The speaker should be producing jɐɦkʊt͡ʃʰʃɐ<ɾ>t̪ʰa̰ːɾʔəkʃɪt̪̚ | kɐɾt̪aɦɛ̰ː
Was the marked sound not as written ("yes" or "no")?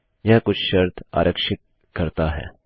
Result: no